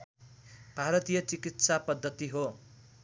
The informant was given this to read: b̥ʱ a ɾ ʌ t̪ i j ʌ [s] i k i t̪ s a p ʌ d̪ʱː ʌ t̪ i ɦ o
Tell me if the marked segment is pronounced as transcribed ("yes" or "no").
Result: no